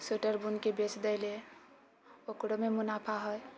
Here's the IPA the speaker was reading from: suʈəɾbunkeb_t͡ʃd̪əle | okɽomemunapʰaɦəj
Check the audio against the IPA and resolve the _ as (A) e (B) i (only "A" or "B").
A